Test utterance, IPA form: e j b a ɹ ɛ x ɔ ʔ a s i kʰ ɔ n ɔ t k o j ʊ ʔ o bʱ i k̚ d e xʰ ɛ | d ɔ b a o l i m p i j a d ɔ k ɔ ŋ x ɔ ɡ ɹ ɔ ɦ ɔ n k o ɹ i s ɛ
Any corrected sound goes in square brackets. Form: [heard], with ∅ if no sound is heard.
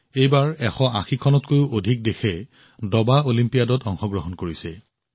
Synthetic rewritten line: e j b a ɹ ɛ x ɔ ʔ a [x] i kʰ ɔ n ɔ t k o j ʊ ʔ o [dʱ] i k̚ d e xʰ ɛ | d ɔ b a o l i m p i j a d ɔ [t] ɔ ŋ x ɔ ɡ ɹ ɔ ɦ ɔ n k o ɹ i s ɛ